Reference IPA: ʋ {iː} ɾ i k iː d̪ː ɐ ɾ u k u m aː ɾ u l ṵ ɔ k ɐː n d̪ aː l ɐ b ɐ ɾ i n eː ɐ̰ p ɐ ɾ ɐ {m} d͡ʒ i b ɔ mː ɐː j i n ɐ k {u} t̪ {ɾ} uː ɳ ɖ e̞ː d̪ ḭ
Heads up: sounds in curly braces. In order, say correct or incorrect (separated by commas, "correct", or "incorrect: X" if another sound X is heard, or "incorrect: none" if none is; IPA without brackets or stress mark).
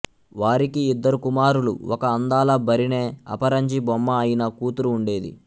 incorrect: aː, incorrect: ɲ, incorrect: uː, correct